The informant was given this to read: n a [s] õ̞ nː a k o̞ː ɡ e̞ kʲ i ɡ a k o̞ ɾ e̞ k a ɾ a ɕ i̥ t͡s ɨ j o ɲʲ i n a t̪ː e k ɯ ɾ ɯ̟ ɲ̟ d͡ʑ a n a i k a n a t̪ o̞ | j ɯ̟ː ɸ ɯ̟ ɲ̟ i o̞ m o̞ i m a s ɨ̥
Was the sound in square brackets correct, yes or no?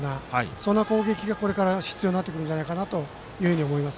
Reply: yes